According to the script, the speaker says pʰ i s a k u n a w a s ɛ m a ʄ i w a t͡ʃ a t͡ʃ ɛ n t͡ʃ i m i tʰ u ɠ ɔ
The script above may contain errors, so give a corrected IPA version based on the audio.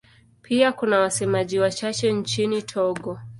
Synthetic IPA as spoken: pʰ i a k u n a w a s ɛ m a ʄ i w a t͡ʃ a t͡ʃ ɛ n t͡ʃ i n i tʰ ɔ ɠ ɔ